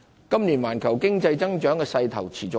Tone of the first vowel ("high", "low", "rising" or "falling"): high